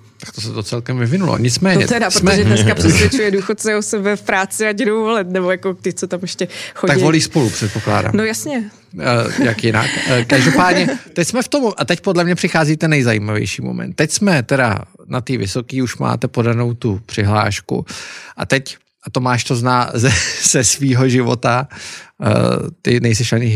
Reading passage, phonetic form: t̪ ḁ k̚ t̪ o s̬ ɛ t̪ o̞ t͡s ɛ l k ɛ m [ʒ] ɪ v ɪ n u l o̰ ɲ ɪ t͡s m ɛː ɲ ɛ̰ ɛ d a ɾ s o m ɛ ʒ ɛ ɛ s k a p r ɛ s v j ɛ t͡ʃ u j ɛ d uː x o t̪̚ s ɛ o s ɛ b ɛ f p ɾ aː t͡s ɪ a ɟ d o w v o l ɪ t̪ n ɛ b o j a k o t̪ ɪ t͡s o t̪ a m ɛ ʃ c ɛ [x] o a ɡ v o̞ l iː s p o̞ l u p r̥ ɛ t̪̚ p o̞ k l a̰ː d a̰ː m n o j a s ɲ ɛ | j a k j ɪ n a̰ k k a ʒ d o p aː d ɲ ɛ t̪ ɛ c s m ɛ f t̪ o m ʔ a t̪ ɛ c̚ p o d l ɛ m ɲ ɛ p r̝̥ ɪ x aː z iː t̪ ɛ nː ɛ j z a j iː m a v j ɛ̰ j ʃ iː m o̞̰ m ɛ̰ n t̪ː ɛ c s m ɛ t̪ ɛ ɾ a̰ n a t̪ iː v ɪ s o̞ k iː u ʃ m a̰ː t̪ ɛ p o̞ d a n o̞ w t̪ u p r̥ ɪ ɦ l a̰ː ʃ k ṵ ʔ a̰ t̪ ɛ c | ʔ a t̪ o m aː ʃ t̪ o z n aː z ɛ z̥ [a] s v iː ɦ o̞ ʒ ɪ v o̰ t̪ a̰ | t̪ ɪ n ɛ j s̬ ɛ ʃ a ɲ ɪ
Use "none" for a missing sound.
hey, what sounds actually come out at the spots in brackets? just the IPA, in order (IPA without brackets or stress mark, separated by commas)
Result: v, x, ɛ